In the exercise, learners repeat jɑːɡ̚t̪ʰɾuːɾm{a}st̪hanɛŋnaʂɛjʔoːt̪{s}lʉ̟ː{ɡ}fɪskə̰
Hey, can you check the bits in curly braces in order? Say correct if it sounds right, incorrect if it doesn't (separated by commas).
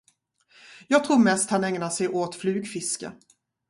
incorrect, incorrect, correct